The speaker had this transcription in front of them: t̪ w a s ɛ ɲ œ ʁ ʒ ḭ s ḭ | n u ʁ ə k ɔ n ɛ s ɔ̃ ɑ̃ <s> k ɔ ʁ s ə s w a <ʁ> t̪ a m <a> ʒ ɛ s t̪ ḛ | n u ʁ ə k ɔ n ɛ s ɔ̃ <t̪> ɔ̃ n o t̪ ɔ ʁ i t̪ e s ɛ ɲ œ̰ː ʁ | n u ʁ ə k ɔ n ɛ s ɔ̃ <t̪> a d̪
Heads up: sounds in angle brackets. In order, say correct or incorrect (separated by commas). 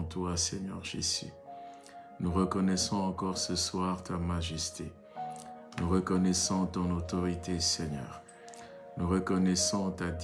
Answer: incorrect, correct, correct, correct, correct